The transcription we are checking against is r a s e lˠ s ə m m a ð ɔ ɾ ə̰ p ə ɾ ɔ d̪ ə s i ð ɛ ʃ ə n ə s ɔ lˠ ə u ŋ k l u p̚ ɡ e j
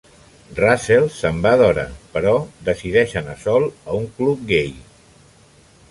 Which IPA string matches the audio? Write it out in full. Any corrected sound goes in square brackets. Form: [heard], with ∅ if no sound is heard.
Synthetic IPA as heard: r a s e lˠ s ə m [b] a ð ɔ ɾ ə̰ p ə ɾ ɔ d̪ ə s i ð ɛ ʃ ə n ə s ɔ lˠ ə u ŋ k l u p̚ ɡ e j